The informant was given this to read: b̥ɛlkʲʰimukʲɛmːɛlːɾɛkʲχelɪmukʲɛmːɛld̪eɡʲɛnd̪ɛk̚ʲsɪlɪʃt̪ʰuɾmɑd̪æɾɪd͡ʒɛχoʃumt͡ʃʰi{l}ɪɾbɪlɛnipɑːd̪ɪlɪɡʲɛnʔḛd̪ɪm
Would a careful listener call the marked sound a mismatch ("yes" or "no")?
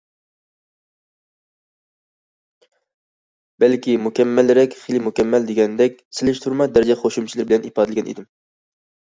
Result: no